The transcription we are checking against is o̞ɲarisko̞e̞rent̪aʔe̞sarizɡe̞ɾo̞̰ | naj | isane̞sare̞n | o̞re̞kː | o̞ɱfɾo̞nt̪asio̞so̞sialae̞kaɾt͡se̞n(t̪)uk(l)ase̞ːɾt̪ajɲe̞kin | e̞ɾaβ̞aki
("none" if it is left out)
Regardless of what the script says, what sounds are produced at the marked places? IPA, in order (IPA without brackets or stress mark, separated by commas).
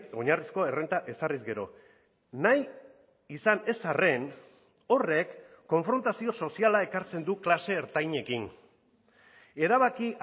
d̪, l